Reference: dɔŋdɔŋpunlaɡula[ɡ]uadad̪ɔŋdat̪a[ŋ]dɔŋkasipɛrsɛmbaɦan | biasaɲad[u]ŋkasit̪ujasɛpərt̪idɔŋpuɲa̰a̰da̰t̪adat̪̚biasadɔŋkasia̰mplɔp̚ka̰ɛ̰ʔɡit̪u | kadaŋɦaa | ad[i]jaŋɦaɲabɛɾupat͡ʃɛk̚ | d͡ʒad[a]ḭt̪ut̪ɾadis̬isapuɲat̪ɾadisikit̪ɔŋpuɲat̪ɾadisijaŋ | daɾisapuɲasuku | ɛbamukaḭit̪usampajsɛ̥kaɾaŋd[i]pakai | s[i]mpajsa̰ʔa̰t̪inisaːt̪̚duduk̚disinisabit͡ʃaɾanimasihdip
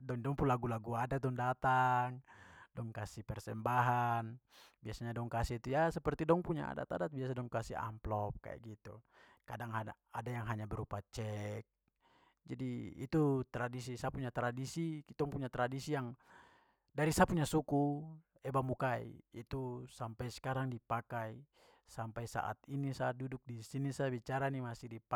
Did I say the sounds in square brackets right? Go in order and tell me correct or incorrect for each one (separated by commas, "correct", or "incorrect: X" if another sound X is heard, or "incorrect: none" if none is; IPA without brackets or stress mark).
correct, correct, incorrect: ɔ, incorrect: a, incorrect: i, correct, incorrect: a